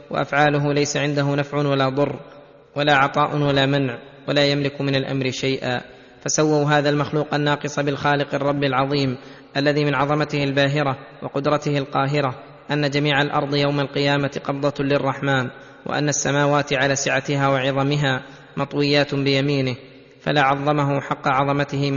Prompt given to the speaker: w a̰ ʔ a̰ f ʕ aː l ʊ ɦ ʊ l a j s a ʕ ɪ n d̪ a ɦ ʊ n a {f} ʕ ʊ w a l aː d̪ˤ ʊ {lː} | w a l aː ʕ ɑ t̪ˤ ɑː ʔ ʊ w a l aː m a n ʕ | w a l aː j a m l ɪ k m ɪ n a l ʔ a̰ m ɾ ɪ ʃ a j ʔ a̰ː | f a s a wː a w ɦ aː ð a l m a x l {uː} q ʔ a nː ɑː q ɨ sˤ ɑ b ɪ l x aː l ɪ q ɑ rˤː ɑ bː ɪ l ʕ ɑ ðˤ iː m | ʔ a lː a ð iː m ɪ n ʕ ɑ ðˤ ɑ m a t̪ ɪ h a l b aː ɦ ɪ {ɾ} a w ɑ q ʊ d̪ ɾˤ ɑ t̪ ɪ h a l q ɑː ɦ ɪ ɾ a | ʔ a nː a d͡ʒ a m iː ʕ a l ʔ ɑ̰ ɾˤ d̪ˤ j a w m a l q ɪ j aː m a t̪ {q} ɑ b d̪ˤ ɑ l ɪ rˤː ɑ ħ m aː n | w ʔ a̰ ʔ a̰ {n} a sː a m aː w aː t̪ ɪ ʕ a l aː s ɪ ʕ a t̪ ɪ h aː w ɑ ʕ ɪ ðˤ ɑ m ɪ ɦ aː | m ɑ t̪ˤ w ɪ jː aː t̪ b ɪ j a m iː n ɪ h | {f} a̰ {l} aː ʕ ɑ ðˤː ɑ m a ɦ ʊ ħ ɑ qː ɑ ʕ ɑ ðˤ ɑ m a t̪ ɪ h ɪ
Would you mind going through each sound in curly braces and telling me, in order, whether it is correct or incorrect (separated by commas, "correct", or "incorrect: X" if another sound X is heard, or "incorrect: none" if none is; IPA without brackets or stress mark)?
correct, incorrect: rː, correct, correct, correct, incorrect: nː, correct, correct